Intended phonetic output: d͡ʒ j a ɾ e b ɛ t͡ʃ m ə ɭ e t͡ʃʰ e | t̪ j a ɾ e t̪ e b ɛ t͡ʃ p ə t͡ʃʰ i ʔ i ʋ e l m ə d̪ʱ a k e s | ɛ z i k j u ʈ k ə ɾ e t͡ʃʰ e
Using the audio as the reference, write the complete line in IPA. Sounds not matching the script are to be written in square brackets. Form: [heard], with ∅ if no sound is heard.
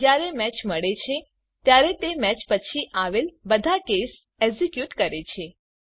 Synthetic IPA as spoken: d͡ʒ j a ɾ e [m] ɛ t͡ʃ m ə ɭ e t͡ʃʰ e | t̪ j a ɾ e t̪ e [m] ɛ t͡ʃ p ə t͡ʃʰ i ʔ [a] ʋ e l [b] ə d̪ʱ a k e s | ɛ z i k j u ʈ k ə ɾ e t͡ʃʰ e